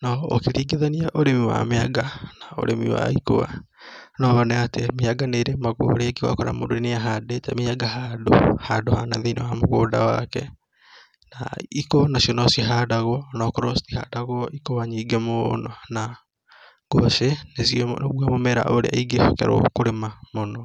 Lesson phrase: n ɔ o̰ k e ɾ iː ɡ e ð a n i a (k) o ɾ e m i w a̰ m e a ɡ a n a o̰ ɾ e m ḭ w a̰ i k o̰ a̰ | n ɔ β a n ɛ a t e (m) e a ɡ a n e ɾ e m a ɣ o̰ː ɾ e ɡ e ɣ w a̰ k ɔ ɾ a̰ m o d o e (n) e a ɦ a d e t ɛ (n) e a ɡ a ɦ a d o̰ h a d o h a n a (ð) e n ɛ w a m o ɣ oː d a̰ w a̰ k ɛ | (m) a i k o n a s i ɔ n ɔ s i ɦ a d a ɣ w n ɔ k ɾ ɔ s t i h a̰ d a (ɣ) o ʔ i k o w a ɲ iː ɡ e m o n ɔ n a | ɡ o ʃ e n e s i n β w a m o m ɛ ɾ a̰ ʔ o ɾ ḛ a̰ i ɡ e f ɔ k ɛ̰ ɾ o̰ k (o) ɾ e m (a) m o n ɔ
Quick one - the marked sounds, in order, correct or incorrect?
incorrect: ʔ, correct, correct, incorrect: m, correct, incorrect: n, correct, correct, correct

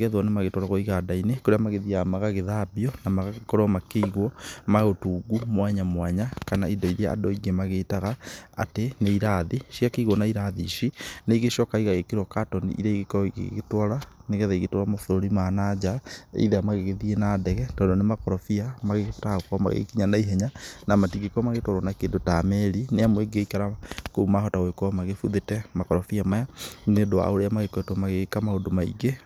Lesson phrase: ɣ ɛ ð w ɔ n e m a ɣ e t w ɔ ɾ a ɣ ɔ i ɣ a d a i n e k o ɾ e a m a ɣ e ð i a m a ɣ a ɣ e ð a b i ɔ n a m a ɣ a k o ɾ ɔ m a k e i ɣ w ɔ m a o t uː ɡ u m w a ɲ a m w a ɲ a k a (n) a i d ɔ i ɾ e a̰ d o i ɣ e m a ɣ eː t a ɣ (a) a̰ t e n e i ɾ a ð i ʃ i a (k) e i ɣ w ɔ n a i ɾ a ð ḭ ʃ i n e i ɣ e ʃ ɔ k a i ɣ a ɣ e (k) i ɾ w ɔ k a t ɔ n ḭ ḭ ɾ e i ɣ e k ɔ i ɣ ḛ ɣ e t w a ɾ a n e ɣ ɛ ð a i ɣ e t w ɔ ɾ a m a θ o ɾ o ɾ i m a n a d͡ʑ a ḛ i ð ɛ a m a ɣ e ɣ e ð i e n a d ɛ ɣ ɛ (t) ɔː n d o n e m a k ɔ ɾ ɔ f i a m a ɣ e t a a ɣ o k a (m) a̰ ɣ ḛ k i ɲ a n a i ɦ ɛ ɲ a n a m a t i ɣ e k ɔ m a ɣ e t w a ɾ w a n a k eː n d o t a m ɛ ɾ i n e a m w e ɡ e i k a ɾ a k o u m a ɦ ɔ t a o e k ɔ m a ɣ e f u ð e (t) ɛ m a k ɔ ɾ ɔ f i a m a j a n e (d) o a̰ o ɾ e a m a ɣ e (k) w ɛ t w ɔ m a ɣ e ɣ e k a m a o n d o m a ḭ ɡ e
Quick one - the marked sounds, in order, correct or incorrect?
correct, correct, correct, correct, correct, correct, correct, correct, correct

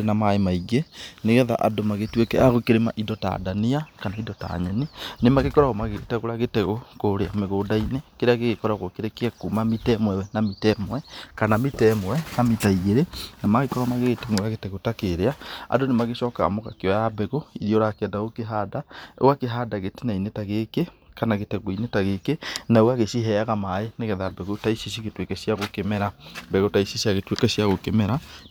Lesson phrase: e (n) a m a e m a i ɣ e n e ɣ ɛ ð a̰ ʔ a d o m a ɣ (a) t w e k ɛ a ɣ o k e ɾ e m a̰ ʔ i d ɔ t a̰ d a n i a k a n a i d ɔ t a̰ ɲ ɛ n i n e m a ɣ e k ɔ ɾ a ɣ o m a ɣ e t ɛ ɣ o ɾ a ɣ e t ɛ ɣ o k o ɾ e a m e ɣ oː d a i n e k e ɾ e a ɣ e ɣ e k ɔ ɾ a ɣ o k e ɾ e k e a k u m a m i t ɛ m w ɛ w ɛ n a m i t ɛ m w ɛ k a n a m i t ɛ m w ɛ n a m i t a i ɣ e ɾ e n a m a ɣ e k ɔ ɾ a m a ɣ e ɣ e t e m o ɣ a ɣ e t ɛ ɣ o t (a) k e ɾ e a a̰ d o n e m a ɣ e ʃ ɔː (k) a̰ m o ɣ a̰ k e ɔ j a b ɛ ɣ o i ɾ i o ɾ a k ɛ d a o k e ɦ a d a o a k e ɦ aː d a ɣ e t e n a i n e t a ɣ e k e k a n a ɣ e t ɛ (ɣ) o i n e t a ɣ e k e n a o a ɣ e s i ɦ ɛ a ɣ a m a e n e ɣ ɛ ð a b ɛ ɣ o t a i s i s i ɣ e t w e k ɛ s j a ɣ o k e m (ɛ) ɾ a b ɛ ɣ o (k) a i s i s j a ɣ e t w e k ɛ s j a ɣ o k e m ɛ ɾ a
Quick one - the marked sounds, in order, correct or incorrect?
correct, incorrect: e, correct, correct, correct, correct, incorrect: t

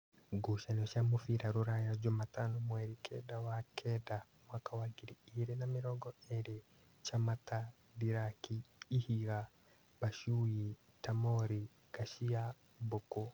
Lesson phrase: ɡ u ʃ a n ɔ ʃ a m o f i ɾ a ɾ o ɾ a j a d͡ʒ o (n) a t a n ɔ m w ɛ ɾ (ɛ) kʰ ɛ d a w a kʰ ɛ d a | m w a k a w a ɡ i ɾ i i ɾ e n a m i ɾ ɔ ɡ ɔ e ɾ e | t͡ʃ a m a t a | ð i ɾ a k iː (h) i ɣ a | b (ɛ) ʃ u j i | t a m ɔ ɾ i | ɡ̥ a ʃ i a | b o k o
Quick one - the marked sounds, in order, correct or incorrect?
incorrect: m, incorrect: i, correct, incorrect: a

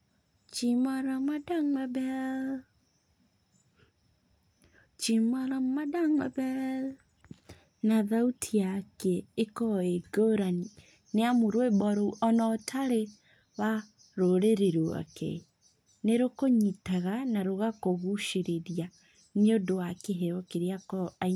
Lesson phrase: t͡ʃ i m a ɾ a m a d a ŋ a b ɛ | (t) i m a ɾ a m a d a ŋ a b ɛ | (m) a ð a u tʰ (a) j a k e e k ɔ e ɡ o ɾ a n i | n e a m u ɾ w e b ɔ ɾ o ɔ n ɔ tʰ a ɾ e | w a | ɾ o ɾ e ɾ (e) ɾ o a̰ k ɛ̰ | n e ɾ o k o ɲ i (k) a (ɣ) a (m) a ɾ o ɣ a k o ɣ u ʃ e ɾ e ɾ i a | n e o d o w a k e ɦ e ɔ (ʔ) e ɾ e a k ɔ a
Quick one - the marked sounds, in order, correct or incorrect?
incorrect: t͡ʃ, incorrect: n, incorrect: i, correct, incorrect: t, correct, incorrect: n, incorrect: k

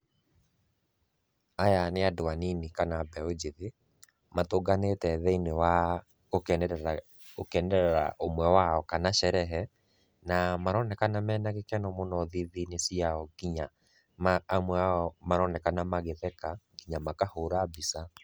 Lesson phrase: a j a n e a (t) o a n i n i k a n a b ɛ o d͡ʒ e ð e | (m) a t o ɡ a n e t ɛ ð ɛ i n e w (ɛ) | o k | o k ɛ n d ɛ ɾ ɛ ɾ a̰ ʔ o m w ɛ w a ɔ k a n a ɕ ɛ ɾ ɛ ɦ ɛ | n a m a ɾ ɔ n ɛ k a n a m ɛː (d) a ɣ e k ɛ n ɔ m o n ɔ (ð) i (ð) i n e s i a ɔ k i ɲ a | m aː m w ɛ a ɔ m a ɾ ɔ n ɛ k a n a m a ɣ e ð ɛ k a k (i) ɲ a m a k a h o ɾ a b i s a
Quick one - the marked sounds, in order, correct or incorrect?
incorrect: d, correct, incorrect: a, incorrect: n, correct, correct, correct

